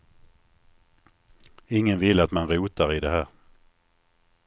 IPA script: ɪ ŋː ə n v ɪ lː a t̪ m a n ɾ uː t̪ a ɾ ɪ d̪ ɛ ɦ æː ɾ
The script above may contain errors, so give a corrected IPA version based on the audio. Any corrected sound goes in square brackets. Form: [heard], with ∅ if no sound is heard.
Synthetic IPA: ɪ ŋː ə n v ɪ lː a t̪ m a n ɾ uː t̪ a ɾ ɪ d̪ ɛ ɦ æː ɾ